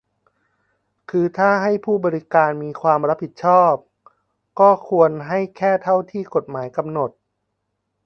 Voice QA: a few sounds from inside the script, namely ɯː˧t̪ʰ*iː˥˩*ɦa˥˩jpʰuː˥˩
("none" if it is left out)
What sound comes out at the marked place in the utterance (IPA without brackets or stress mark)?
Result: aː˥˩